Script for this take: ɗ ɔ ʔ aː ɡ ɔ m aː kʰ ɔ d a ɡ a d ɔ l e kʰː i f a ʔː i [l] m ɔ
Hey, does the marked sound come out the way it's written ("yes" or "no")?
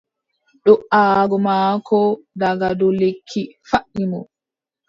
no